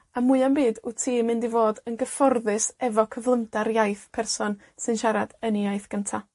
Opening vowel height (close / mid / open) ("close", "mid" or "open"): open